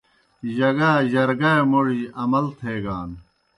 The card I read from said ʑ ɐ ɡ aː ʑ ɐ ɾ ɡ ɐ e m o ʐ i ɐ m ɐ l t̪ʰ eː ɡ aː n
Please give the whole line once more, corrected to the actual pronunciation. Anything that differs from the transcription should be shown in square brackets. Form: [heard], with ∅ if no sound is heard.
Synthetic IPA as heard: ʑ ɐ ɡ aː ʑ ɐ ɾ ɡ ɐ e m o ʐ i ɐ m ɐ l t̪ʰ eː ɡ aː n